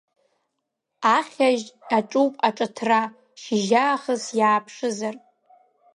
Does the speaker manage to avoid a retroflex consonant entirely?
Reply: no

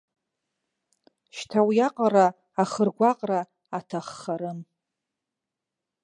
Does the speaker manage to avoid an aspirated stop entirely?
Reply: no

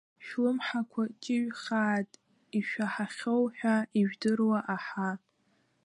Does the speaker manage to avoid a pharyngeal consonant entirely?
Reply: no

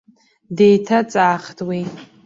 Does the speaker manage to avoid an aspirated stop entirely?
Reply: no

